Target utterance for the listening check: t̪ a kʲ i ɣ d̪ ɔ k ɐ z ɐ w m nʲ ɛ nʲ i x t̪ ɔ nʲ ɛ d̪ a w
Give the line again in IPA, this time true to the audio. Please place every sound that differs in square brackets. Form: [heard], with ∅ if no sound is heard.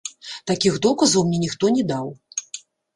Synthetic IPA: t̪ a kʲ i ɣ d̪ ɔ k ɐ z ɐ w m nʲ ɛ nʲ i x t̪ ɔ nʲ ɛ d̪ a w